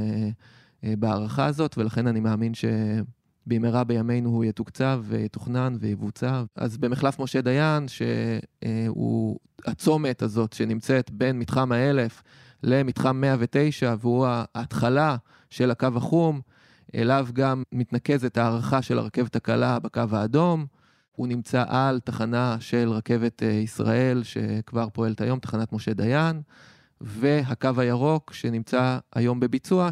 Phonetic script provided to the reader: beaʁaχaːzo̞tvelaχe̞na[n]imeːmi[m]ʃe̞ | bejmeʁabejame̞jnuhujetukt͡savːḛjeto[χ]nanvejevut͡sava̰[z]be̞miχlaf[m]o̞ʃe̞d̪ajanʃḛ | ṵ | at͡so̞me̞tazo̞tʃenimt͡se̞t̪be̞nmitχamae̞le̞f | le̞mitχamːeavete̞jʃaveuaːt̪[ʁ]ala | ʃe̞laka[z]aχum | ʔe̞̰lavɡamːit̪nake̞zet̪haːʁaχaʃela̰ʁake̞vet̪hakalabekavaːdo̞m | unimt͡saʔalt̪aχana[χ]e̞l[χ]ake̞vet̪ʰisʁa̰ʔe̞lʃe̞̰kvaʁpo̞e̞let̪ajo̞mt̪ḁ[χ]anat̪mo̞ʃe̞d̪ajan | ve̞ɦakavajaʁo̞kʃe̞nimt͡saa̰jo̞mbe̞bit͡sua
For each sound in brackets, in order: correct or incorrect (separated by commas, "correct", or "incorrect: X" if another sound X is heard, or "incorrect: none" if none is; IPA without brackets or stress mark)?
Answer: correct, incorrect: n, correct, correct, correct, incorrect: χ, incorrect: v, incorrect: ʃ, incorrect: ʁ, correct